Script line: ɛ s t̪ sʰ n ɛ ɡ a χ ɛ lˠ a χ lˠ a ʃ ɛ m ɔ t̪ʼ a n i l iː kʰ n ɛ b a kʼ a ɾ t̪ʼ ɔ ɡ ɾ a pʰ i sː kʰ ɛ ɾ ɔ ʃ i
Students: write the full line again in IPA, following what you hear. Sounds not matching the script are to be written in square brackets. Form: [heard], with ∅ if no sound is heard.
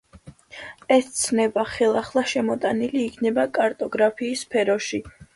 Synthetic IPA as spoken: ɛ s t̪ sʰ n ɛ [b] a χ ɛ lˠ a χ lˠ a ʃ ɛ m ɔ t̪ʼ a n i l iː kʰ n ɛ b a kʼ a ɾ t̪ʼ ɔ ɡ ɾ a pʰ [iː] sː [pʰ] ɛ ɾ ɔ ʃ i